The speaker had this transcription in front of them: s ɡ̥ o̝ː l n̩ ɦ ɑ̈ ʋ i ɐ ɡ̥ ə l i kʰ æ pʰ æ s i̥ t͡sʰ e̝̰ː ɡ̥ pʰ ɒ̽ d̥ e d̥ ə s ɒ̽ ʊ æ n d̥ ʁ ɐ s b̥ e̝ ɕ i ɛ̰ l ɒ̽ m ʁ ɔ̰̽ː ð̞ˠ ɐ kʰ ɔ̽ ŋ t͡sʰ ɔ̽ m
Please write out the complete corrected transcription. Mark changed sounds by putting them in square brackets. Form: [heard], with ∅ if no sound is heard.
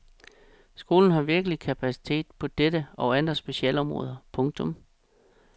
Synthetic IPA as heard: s ɡ̥ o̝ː l n̩ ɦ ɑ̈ ʋ i ɐ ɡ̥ ə l i kʰ æ pʰ æ s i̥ t͡sʰ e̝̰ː [d̥] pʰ ɒ̽ d̥ e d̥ ə [∅] ɒ̽ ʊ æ n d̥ ʁ ɐ s b̥ e̝ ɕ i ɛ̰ l ɒ̽ m ʁ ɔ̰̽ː ð̞ˠ ɐ [pʰ] ɔ̽ ŋ t͡sʰ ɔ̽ m